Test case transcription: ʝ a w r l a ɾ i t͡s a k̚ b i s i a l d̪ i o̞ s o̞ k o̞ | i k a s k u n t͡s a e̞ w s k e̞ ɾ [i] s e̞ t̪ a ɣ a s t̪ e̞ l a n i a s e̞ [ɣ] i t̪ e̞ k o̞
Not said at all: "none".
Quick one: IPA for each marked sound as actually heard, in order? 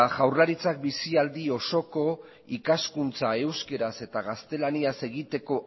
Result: a, ɣ

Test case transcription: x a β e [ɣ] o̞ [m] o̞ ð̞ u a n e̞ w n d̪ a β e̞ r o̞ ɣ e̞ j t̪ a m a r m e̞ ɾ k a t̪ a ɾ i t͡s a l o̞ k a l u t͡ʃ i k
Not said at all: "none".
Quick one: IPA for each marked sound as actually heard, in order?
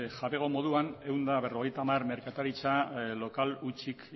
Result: ɣ, m

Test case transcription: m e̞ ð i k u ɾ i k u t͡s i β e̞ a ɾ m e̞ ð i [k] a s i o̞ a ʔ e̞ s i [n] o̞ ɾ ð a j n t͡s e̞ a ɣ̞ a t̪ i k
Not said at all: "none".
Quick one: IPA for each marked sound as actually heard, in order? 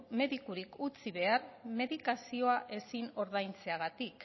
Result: k, n

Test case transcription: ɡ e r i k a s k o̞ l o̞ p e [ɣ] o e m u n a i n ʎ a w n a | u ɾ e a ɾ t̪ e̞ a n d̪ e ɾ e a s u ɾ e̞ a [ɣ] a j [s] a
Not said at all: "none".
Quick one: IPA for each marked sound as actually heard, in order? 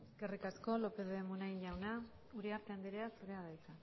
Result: ð, ð, t͡s

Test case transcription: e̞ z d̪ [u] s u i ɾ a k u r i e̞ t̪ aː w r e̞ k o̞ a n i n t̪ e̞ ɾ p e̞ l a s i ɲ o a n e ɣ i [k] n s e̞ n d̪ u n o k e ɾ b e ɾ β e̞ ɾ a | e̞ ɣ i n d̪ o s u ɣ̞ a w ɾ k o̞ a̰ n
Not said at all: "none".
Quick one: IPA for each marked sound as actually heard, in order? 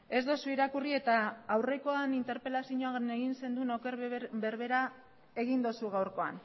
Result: o, none

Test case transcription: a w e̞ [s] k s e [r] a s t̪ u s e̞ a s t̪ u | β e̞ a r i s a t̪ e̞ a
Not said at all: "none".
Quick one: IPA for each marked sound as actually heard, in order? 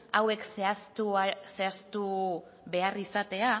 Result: none, none

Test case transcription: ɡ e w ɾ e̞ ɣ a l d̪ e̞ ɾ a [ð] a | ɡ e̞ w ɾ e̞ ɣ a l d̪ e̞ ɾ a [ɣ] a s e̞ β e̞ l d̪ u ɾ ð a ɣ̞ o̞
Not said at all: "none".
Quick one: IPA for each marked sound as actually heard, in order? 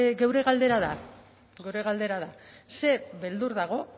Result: ð, ð

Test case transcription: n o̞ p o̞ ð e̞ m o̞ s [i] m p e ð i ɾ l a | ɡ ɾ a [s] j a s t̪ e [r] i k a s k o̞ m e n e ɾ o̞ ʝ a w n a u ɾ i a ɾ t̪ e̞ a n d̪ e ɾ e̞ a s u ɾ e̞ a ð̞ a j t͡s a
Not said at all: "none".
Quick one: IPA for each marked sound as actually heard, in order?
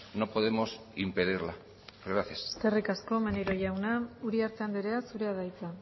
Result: i, θ, r

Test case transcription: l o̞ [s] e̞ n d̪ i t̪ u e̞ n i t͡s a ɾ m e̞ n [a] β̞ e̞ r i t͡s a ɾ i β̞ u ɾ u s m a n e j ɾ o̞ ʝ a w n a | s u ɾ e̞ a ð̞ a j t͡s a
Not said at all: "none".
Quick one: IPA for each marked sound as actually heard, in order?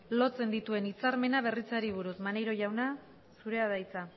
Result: t͡s, a

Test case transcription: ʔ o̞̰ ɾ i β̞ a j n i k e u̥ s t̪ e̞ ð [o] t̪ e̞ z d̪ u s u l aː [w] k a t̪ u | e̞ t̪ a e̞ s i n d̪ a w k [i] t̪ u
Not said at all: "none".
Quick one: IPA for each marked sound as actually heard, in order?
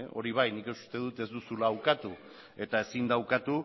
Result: u, w, a

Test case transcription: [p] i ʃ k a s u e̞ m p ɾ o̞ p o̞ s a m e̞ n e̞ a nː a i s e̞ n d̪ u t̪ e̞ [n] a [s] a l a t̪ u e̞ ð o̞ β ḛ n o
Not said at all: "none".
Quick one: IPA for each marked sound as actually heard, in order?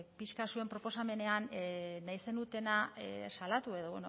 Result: p, n, s

